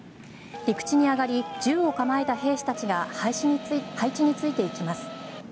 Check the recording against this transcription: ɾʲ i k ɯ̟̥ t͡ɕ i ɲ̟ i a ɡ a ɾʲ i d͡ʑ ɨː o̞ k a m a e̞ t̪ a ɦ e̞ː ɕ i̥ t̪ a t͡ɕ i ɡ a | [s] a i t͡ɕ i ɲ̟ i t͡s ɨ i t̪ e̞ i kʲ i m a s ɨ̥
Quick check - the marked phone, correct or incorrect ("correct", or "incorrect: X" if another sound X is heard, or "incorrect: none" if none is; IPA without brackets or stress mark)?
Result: incorrect: h